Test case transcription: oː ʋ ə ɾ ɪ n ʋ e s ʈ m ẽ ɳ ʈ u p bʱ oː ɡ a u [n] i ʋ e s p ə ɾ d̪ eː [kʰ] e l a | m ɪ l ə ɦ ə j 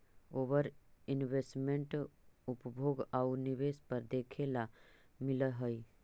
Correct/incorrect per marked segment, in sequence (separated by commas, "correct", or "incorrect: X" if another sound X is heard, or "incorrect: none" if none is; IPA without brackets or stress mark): correct, correct